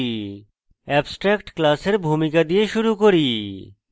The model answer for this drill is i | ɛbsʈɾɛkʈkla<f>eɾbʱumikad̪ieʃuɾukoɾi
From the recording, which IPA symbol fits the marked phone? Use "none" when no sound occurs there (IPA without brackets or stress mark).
s